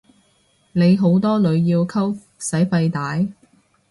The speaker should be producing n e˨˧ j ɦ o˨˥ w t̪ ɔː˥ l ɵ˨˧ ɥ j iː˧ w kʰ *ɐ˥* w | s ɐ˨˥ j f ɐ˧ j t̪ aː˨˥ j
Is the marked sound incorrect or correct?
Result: correct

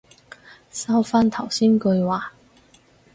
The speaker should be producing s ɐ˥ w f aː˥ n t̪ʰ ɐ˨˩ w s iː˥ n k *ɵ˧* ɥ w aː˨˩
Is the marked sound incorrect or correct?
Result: correct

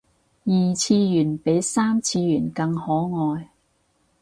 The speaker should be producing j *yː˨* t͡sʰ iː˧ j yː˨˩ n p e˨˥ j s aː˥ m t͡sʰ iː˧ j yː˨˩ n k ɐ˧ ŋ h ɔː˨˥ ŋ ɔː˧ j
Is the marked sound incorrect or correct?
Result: incorrect: iː˨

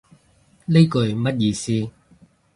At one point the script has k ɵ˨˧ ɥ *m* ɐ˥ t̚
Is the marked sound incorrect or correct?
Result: correct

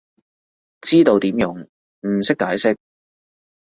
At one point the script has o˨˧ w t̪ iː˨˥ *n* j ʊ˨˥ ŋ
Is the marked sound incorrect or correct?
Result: incorrect: m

